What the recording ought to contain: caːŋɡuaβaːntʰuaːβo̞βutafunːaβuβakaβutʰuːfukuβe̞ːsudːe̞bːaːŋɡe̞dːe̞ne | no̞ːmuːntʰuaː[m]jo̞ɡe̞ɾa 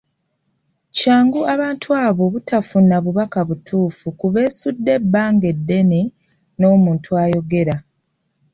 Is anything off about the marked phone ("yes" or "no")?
yes